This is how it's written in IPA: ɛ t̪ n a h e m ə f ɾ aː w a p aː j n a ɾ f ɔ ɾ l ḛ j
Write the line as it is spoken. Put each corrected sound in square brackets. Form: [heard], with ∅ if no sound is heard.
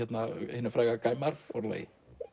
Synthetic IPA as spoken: ɛ t̪ n a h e [n] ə f ɾ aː [ɣ] a [k] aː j [m] a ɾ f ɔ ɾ l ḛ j